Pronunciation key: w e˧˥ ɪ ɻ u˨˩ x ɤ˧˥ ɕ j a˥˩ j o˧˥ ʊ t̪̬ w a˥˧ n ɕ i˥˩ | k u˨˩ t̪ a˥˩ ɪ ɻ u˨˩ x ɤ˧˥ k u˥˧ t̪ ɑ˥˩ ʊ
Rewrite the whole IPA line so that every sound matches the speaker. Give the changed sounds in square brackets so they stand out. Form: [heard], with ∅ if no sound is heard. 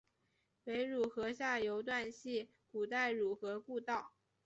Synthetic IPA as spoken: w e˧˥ ɪ ɻ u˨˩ x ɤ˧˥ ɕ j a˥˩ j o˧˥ ʊ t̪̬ w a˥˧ n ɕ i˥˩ | k u˨˩ t̪ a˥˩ ɪ ɻ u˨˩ x ɤ˧˥ k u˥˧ t̪ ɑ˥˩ ʊ